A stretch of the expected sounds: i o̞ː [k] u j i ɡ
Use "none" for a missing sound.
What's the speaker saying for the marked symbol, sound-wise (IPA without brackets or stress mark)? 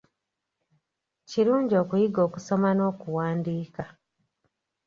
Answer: k